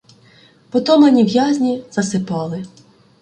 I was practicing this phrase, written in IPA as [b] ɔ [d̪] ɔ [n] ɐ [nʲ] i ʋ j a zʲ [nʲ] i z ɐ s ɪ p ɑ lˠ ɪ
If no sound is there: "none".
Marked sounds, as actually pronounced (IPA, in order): p, t̪, m, nʲ, nʲ

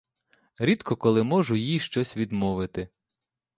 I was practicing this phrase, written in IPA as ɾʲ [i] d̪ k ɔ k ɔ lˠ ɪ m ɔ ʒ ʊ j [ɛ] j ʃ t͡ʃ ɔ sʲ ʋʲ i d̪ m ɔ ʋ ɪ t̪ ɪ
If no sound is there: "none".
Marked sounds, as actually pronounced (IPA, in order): i, i

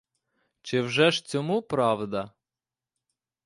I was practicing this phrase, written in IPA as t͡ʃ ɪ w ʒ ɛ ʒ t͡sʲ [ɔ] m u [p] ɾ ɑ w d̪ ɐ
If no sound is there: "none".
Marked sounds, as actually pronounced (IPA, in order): ɔ, p

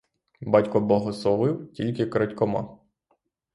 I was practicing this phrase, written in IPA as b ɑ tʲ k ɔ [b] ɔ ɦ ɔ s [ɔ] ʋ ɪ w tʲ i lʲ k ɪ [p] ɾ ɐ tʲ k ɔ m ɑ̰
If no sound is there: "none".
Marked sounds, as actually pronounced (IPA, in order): b, ɔ, k

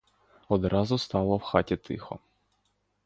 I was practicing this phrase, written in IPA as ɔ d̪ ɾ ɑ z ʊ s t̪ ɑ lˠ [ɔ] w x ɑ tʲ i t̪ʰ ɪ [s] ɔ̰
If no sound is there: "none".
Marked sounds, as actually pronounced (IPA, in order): ɔ, x

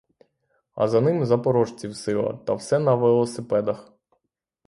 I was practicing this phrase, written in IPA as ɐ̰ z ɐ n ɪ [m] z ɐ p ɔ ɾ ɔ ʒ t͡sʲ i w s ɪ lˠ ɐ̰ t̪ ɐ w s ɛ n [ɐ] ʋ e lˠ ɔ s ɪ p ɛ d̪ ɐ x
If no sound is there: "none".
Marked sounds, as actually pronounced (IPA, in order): m, ɐ

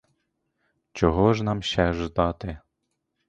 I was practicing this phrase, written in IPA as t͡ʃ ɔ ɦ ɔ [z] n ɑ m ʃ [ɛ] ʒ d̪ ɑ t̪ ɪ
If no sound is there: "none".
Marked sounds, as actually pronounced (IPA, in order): ʒ, ɛ

